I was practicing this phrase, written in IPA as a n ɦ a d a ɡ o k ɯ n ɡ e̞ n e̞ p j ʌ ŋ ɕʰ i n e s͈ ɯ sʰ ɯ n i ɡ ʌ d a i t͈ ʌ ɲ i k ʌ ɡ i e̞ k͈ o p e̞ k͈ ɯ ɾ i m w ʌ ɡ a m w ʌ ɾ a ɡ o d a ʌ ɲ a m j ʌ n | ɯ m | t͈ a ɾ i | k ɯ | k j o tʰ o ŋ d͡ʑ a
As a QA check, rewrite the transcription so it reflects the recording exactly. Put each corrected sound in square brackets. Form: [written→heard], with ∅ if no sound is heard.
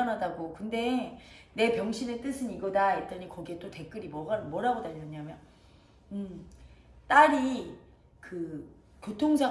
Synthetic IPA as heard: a n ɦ a d a ɡ o k ɯ n [ɡ→d] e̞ n e̞ p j ʌ ŋ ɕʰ i n e [s͈→t͈] ɯ sʰ ɯ n i ɡ ʌ d a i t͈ ʌ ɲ i k ʌ ɡ i e̞ [k͈→t͈] o [p→t] e̞ k͈ ɯ ɾ i m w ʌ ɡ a m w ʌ ɾ a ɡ o d a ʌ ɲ a m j ʌ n | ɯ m | t͈ a ɾ i | k ɯ | k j o tʰ o ŋ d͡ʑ a